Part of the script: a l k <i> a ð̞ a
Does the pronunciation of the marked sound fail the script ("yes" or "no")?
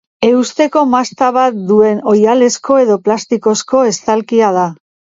no